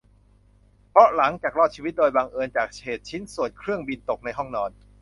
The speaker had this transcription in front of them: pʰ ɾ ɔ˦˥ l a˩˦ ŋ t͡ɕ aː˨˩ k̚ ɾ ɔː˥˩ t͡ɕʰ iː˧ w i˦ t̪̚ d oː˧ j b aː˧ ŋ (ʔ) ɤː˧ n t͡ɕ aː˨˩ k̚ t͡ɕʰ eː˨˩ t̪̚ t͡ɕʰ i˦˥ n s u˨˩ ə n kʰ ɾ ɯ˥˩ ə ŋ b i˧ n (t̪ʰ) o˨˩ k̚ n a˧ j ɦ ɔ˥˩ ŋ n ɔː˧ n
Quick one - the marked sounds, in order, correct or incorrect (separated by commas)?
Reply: correct, incorrect